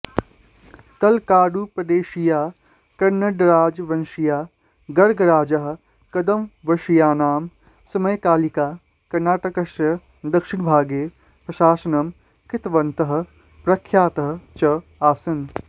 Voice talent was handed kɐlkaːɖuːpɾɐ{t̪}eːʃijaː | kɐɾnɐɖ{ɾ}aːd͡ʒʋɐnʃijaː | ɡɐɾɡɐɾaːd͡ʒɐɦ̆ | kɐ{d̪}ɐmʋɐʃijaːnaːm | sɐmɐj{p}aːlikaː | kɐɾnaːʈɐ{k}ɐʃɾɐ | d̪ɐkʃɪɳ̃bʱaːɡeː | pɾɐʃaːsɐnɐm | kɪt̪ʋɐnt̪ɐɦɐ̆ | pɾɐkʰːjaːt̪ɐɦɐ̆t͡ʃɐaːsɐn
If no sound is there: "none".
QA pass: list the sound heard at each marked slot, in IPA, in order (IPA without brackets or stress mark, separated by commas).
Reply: d̪, ɾ, d̪, k, k